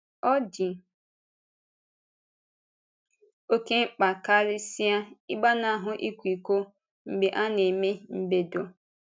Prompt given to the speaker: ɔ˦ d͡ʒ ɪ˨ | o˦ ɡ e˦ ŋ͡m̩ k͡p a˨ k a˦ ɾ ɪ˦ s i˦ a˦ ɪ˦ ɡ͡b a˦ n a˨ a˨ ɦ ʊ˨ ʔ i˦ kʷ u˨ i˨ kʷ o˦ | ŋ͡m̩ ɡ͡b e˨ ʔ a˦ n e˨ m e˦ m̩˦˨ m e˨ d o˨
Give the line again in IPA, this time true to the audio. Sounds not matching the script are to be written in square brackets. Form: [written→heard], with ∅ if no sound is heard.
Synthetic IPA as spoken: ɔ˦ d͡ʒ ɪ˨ | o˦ [ɡ→k] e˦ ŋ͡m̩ k͡p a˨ k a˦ ɾ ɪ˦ s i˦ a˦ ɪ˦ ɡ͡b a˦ n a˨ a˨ ɦ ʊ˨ ʔ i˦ kʷ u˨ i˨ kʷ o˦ | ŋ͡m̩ ɡ͡b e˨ ʔ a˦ n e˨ m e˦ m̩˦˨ [m→b] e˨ d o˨